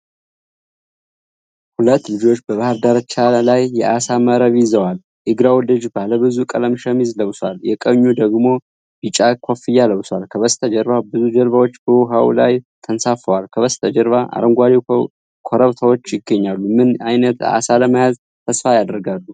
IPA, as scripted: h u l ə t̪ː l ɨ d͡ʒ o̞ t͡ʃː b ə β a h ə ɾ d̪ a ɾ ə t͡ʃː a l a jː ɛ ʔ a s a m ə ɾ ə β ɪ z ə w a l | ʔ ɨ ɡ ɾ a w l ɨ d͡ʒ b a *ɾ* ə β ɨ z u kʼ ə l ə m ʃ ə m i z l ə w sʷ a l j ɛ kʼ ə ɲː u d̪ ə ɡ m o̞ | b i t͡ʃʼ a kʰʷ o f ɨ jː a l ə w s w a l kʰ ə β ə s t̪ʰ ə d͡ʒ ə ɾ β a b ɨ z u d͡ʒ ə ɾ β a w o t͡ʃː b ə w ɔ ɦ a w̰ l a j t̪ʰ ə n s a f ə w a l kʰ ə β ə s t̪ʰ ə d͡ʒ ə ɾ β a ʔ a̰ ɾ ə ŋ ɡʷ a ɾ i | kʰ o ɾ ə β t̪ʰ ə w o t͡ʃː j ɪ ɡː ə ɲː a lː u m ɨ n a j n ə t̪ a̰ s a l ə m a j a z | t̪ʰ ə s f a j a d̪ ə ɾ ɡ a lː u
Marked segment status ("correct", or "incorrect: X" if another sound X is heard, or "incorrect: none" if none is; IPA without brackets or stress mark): incorrect: l